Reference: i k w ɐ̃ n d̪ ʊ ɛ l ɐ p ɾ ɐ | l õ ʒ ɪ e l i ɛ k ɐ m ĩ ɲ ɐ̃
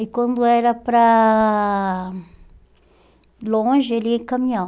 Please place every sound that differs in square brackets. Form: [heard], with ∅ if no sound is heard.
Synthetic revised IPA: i k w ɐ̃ n d̪ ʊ ɛ [ɾ] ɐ p ɾ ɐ | l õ ʒ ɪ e l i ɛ k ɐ m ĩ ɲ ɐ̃